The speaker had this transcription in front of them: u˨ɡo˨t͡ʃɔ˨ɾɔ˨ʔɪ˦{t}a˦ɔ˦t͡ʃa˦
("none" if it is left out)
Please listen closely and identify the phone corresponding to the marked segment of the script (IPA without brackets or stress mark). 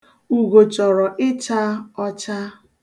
t͡ʃ